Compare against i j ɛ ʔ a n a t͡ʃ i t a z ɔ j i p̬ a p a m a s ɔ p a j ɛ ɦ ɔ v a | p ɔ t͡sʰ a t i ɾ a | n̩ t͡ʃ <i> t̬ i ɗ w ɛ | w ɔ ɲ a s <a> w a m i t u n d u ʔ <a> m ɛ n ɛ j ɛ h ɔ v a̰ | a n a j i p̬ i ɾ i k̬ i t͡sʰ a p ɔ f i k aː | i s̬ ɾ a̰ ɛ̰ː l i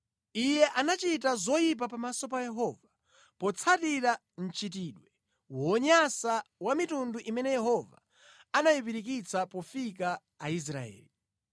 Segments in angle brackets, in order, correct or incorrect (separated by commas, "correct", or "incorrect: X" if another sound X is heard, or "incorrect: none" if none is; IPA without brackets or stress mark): correct, correct, incorrect: i